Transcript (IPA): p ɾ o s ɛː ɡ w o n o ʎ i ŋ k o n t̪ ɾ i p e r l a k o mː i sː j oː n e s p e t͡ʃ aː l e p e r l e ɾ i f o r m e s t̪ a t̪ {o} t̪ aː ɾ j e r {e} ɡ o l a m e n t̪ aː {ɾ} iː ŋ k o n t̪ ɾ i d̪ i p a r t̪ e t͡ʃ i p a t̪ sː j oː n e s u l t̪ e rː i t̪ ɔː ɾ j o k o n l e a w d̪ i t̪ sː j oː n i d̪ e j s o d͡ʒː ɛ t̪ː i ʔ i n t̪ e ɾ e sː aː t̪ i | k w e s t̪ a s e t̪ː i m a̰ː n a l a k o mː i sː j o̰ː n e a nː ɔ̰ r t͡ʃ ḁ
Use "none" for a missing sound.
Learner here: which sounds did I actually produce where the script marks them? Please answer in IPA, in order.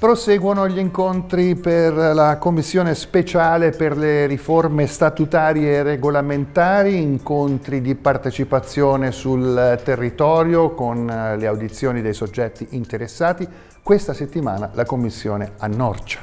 u, e, ɾ

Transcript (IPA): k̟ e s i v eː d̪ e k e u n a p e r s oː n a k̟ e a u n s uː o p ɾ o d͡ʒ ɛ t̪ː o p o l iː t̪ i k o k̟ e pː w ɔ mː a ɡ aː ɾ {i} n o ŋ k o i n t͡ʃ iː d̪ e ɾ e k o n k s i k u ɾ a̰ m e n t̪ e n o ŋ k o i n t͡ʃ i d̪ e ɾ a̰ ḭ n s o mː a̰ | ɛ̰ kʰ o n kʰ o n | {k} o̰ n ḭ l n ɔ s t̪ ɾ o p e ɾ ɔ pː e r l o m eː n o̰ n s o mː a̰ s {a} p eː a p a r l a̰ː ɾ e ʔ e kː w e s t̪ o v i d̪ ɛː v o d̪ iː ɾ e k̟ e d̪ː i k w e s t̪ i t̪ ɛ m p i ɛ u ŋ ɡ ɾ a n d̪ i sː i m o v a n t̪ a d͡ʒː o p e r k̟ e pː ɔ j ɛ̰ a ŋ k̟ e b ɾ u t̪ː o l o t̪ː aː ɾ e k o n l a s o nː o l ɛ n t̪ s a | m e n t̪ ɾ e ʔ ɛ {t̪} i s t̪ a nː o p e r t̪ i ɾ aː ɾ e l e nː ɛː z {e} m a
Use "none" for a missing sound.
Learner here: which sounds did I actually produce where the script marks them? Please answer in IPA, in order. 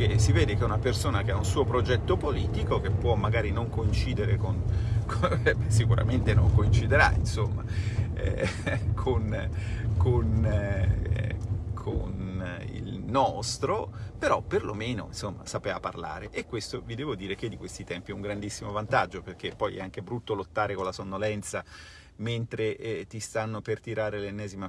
i, kʰ, a, t̪, i

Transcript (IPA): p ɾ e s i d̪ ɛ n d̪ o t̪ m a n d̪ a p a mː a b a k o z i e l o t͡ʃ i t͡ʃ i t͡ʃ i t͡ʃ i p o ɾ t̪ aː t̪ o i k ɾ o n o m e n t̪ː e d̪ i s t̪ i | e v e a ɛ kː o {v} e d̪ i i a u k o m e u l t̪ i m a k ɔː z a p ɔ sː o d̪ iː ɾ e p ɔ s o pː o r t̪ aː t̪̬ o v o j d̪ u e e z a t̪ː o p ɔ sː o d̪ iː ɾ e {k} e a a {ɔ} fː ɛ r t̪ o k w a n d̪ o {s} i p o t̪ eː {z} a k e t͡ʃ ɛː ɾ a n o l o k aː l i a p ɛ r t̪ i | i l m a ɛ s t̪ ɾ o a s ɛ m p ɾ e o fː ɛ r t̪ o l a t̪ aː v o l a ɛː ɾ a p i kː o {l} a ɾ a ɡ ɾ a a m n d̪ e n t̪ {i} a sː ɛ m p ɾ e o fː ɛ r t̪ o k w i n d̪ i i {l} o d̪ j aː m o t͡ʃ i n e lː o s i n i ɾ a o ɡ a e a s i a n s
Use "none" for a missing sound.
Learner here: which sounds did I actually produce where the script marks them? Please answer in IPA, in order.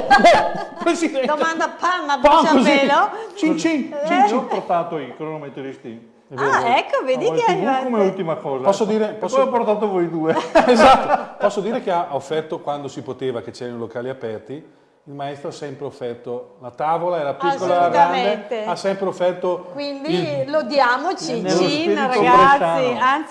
v, k, o, s, v, l, e, l

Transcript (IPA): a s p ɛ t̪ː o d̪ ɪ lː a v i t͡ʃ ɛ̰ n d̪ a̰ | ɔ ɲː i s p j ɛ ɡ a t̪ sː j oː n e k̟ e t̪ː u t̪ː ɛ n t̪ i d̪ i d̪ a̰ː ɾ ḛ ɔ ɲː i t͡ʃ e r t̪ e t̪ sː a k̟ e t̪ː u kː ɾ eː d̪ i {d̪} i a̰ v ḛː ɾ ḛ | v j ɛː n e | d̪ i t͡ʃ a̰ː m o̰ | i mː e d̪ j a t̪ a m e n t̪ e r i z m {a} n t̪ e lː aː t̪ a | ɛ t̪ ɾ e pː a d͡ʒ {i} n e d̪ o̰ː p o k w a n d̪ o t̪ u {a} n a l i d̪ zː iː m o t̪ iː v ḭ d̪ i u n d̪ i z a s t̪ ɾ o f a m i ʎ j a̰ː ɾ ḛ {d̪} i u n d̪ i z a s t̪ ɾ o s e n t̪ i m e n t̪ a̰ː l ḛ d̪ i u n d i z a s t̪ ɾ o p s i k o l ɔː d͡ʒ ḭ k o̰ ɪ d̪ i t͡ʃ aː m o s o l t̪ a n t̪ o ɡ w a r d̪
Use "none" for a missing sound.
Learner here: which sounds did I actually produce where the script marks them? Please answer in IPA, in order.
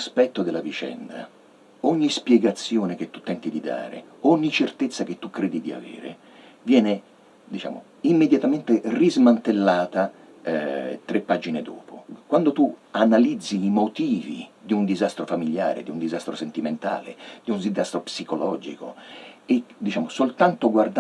d̪, a, i, a, d̪

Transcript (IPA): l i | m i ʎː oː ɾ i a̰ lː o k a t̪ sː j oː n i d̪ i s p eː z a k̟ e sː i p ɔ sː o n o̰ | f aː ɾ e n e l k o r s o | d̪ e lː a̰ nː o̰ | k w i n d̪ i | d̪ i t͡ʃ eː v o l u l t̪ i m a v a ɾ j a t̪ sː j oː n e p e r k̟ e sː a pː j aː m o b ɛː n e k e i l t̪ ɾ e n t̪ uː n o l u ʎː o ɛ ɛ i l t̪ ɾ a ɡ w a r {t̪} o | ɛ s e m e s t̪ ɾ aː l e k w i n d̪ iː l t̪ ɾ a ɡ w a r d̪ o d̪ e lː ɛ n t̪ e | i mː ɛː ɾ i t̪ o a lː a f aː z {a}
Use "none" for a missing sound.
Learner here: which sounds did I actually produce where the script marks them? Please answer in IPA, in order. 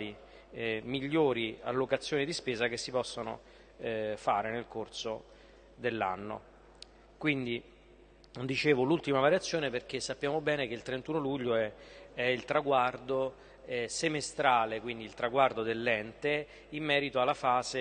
d̪, e

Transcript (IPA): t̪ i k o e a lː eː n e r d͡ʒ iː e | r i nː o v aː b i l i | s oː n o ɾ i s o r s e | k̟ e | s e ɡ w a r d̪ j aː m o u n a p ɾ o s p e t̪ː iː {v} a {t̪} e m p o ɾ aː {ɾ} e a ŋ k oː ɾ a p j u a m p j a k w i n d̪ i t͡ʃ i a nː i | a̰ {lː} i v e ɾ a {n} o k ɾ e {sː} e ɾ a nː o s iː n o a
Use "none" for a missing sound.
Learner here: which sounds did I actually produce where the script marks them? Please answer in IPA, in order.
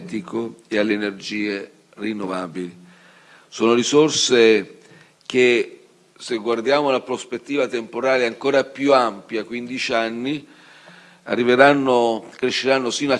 v, t̪, l, rː, nː, ʃː

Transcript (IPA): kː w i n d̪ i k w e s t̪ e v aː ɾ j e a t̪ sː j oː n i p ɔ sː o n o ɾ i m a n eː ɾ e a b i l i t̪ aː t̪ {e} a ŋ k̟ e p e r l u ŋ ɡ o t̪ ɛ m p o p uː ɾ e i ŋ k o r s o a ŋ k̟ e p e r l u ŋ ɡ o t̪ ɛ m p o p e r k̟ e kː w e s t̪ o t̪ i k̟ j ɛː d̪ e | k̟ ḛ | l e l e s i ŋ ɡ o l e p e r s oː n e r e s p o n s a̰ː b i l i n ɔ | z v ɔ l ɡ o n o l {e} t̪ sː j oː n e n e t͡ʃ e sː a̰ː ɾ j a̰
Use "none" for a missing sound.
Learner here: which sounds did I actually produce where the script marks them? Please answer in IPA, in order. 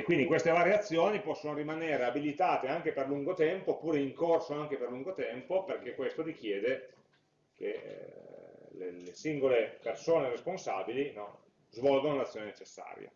e, a

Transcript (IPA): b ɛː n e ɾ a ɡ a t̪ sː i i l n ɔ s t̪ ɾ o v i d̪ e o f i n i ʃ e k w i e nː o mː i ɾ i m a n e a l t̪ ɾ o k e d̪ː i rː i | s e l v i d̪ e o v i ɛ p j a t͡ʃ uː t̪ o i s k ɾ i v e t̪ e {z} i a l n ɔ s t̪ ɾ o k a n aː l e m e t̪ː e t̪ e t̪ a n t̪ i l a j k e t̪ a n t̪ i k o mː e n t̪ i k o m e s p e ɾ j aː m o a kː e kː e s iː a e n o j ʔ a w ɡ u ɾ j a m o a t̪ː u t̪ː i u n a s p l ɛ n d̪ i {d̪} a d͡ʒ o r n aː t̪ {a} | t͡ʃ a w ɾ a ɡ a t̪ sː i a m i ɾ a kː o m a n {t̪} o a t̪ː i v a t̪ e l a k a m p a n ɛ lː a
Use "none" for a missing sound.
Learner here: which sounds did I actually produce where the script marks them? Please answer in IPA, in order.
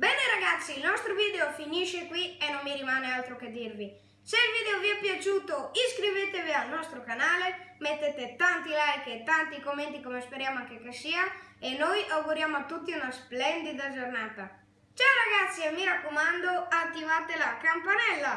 v, d̪, a, d̪

